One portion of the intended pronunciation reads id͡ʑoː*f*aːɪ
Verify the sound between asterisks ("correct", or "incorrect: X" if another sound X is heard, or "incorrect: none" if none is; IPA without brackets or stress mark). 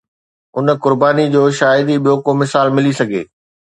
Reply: incorrect: ʃ